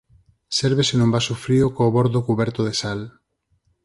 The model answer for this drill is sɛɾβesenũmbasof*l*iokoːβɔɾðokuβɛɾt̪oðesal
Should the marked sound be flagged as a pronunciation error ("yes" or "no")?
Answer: yes